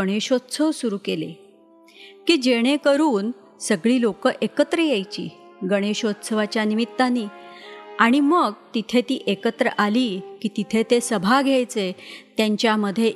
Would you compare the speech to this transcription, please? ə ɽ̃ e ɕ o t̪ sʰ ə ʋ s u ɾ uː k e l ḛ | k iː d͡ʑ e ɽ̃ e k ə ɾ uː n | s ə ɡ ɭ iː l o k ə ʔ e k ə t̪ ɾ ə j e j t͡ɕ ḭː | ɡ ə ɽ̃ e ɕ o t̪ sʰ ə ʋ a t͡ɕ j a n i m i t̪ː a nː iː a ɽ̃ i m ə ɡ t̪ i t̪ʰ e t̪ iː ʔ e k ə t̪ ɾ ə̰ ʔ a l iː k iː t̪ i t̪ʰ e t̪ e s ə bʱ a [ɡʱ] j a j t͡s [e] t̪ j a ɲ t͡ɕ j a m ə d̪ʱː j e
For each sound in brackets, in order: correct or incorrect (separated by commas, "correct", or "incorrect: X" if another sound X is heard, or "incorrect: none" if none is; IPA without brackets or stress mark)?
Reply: correct, correct